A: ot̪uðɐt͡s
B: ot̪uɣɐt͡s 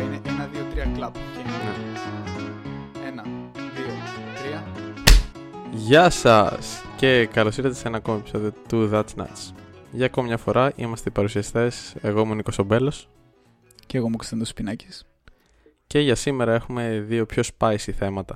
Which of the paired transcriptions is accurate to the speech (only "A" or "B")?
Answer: A